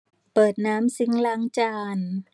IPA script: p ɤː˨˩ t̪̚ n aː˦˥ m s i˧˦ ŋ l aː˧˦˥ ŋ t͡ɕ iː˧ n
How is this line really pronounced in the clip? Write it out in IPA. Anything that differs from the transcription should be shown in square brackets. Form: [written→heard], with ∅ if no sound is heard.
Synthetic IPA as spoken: p ɤː˨˩ t̪̚ n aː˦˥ m s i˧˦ ŋ l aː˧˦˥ ŋ t͡ɕ [iː˧→aː˧] n